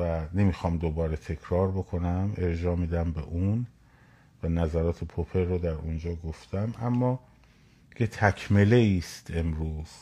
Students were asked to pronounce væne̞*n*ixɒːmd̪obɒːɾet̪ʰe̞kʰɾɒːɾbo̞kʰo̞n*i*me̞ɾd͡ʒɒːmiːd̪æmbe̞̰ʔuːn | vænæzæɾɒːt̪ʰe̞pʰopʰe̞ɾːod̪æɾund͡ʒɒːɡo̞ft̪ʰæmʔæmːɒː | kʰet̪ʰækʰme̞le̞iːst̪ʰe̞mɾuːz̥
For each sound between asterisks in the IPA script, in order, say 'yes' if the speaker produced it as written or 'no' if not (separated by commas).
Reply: no, no